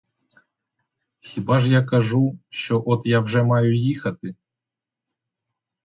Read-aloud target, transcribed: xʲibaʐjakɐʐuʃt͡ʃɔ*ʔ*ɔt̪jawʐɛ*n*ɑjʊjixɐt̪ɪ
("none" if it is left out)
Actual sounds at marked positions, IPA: ʔ, m

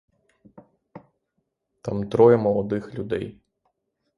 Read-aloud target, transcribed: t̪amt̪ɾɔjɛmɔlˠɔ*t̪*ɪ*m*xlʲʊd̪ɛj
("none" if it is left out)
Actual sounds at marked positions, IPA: d̪, none

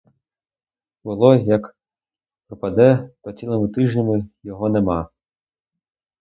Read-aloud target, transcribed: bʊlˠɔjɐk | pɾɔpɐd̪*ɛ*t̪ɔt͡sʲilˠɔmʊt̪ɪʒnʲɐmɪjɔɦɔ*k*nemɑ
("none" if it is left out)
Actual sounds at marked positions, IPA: ɛ, none

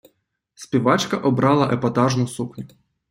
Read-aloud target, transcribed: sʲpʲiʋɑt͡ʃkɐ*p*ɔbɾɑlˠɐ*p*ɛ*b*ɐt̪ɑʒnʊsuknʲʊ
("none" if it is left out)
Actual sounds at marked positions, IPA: ʔ, ʔ, p

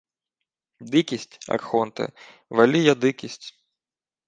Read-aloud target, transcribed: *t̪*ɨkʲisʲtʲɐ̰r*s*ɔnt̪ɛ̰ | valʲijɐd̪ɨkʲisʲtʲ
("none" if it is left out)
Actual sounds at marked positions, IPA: d̪, x

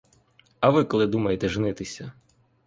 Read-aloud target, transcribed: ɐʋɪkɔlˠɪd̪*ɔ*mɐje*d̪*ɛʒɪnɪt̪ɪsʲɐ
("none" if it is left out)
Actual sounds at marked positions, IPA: u, t̪

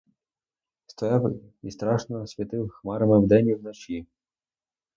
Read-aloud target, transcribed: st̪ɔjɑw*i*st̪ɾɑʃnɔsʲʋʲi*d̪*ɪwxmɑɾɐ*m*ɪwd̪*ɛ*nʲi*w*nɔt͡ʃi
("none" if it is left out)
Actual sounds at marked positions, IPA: i, t̪, m, ɛ, w

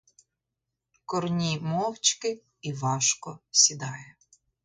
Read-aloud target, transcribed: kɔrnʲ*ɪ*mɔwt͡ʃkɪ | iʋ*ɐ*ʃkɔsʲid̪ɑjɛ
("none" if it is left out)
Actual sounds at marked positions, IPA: i, ɑ

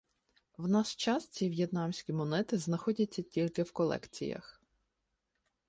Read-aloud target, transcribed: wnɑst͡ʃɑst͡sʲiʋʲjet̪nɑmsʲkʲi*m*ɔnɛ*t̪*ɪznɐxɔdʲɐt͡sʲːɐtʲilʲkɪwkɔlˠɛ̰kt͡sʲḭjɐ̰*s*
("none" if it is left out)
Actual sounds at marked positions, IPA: m, t̪, x

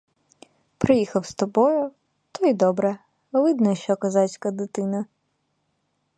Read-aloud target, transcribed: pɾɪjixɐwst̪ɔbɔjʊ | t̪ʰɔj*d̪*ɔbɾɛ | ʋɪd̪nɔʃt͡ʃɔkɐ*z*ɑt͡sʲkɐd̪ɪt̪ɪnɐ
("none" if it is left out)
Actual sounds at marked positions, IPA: d̪, z

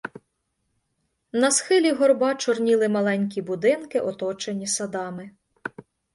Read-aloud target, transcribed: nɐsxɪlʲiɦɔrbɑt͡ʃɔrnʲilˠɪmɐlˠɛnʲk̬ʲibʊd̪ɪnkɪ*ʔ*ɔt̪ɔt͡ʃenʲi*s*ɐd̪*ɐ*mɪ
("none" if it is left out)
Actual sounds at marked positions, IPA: ʔ, s, ɑ

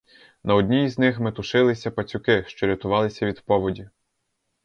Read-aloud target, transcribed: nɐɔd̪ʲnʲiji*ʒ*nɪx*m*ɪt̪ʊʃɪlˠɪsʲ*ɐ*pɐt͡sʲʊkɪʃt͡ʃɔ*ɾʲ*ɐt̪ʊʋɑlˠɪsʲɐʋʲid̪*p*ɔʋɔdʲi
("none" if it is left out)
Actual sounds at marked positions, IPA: z, m, ɐ, ɾʲ, p

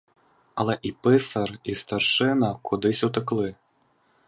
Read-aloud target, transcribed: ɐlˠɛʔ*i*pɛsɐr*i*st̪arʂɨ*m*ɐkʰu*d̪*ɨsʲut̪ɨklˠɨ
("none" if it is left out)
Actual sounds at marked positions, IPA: i, i, n, d̪

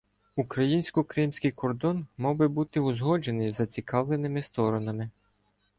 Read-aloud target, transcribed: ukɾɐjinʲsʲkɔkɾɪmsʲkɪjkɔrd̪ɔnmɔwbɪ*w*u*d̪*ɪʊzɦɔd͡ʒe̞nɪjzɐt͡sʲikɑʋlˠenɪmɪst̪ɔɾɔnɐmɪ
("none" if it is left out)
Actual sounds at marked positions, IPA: b, t̪

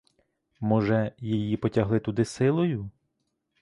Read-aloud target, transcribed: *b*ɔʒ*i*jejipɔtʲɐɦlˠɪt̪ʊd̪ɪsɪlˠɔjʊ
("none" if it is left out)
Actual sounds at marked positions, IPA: m, ɛ

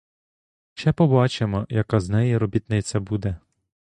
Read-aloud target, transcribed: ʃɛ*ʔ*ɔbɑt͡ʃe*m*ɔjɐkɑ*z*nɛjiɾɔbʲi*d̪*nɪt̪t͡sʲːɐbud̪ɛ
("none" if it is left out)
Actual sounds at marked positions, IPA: p, m, z, t̪

